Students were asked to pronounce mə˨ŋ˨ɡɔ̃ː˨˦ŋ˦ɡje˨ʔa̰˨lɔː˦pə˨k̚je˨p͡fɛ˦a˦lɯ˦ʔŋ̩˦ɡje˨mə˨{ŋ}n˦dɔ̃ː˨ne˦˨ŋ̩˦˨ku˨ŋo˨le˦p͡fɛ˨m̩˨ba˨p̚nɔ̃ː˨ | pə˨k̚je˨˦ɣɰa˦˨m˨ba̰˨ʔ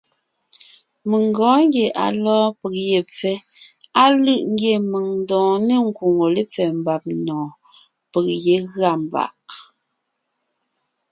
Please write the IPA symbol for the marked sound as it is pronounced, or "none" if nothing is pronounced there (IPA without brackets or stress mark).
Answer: ŋ